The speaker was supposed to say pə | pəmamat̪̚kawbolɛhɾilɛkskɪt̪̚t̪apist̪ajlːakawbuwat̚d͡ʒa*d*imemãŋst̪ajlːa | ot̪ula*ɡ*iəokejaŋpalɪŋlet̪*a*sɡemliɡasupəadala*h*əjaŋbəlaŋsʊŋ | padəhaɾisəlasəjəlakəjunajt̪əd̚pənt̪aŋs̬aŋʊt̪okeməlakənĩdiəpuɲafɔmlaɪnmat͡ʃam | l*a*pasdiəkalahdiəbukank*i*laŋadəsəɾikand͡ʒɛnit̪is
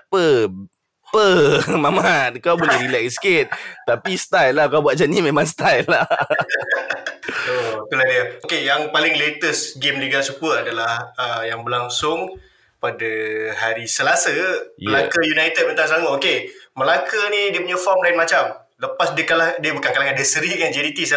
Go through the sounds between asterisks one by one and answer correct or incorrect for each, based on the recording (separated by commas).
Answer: incorrect, incorrect, incorrect, correct, incorrect, incorrect